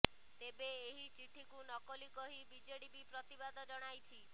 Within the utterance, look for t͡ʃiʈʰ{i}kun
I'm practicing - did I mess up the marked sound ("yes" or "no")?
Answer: no